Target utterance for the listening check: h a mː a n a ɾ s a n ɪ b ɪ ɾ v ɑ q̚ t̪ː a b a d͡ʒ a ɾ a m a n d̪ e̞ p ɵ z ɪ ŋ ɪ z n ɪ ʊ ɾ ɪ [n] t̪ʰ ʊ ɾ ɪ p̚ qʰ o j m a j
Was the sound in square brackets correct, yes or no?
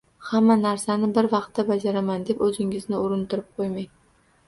yes